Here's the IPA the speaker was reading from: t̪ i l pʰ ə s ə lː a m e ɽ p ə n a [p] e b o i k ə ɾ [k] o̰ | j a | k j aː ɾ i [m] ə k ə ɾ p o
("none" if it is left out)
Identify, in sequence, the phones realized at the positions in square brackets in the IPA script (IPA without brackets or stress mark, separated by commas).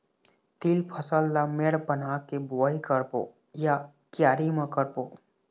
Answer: k, p, m